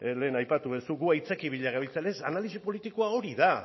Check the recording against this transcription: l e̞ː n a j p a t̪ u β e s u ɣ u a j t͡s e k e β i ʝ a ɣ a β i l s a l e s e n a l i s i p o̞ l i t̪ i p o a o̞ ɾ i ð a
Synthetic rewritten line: l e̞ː n a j p a t̪ u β e s u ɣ u a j t͡s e k i β i ʎ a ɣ a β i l t͡s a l e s a n a l i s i p o̞ l i t̪ i k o a o̞ ɾ i ð a